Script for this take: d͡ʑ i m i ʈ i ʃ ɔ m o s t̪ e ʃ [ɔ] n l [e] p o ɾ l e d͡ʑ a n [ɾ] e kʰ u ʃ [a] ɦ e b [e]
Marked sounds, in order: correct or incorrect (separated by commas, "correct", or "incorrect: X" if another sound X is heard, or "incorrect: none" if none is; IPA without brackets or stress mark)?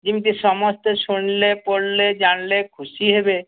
incorrect: u, correct, incorrect: l, incorrect: i, correct